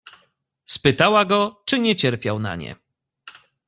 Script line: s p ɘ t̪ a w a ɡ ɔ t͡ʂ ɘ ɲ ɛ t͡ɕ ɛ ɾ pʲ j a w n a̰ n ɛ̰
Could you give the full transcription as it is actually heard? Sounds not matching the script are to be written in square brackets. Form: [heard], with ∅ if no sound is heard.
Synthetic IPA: s p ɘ t̪ a w a ɡ ɔ t͡ʂ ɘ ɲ ɛ t͡ɕ ɛ ɾ pʲ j a w n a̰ [ɲ] ɛ̰